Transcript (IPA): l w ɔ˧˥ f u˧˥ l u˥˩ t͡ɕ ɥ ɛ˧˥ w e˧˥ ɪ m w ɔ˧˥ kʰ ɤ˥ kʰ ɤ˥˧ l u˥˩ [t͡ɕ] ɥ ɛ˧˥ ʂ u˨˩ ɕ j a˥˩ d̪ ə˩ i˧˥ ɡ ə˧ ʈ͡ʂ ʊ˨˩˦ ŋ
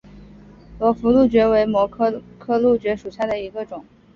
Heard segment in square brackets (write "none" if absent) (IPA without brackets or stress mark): t͡ɕ